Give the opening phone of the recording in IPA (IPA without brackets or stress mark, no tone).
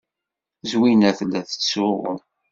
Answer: z